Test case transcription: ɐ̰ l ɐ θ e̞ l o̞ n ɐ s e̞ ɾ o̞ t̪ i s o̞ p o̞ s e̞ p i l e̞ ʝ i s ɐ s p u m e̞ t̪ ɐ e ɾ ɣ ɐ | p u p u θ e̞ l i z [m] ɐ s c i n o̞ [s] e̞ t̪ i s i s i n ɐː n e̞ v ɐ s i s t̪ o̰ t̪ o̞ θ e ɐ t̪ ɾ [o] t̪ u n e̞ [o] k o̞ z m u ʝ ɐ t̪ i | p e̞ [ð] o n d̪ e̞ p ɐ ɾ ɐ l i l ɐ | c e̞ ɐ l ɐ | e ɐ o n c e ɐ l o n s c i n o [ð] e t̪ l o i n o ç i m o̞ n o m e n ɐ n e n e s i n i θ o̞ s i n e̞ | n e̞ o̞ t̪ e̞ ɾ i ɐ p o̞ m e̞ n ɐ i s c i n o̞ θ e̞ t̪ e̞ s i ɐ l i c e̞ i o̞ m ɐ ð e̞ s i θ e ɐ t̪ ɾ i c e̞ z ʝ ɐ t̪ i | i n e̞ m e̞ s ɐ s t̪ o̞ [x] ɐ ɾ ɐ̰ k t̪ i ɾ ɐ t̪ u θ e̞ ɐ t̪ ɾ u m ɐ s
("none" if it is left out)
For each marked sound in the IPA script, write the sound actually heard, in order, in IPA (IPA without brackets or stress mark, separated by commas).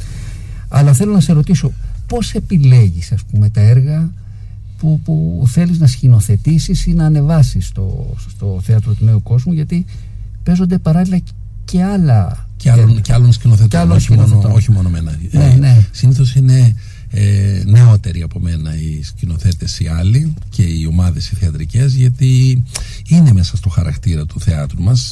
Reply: n, θ, o, u, z, θ, x